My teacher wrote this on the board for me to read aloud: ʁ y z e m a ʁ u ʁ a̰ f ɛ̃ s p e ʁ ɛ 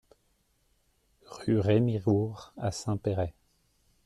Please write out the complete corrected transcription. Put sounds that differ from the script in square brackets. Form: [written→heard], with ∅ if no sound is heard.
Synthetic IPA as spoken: ʁ y [z→ʁ] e m [a→i] ʁ u ʁ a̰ [f→s] ɛ̃ [s→∅] p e ʁ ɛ